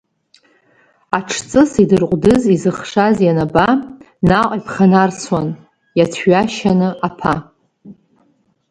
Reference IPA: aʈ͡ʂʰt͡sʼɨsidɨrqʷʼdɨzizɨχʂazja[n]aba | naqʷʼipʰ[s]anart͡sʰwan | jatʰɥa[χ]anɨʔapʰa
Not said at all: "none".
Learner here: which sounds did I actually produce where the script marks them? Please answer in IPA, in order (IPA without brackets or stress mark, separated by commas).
n, χ, ʃ